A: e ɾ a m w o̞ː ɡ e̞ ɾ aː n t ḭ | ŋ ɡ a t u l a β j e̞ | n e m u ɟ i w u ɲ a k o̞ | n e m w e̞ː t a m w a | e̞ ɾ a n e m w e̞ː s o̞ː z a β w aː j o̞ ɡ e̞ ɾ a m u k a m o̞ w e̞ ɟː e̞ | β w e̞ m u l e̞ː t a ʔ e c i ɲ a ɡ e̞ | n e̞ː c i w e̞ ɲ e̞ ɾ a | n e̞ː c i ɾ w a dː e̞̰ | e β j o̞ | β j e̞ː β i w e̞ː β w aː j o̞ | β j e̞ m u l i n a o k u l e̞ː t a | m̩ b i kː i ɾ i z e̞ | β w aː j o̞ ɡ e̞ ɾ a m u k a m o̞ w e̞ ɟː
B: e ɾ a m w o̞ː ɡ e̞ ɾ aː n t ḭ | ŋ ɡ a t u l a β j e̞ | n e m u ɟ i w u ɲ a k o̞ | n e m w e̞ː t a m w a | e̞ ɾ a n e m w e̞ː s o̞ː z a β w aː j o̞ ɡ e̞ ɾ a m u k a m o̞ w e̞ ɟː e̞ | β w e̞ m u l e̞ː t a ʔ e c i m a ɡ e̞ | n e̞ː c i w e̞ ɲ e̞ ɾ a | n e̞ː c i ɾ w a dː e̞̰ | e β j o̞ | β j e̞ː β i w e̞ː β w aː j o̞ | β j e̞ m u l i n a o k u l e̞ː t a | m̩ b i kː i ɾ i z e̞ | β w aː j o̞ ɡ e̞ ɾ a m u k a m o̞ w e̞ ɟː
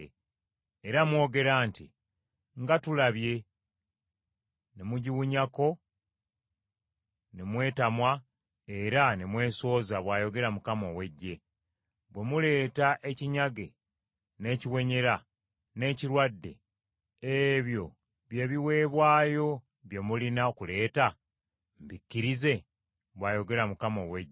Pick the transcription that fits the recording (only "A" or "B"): A